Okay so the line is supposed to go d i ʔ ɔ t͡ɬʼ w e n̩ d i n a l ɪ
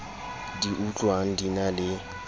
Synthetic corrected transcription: d i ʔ u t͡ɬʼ w a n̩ d i n a l ɪ